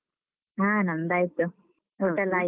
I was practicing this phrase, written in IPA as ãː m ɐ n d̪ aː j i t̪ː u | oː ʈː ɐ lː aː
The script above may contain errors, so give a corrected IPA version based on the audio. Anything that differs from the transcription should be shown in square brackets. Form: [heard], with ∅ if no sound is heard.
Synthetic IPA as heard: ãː [n] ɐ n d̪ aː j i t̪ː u | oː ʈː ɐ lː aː